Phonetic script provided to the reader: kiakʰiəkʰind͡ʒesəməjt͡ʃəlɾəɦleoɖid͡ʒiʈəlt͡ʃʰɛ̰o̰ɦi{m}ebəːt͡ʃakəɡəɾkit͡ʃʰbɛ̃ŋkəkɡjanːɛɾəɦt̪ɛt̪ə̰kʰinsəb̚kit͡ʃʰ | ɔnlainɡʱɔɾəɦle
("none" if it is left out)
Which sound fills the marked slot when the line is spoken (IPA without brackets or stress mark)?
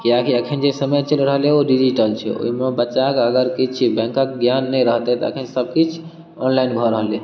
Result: m